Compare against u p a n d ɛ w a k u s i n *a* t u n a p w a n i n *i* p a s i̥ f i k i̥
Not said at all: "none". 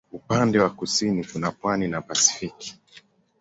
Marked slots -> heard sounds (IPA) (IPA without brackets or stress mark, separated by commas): i, a